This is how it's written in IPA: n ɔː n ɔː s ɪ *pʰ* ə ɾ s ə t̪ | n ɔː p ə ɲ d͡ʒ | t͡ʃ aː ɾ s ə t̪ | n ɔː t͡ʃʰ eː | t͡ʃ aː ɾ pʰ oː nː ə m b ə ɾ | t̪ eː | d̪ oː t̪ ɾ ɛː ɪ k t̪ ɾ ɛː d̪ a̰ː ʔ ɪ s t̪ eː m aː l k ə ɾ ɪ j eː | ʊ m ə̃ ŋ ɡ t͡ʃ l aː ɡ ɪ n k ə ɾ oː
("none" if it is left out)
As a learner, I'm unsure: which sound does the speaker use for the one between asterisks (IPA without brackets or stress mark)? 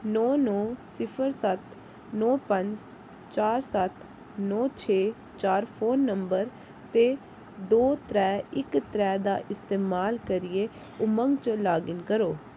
pʰ